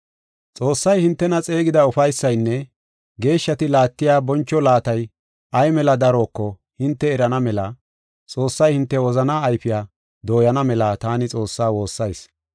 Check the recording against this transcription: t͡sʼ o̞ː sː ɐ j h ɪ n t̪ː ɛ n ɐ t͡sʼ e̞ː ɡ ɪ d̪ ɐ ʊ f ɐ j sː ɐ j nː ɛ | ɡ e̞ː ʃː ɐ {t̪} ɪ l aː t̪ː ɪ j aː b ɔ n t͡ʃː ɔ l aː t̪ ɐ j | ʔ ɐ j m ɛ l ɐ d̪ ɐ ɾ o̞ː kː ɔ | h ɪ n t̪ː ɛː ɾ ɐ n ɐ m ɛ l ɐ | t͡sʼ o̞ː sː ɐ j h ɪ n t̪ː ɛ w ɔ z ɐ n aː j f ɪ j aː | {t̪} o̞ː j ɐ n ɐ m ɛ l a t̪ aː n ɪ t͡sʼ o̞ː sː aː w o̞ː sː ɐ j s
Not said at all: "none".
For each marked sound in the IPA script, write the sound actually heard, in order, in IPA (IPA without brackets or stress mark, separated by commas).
t̪, d̪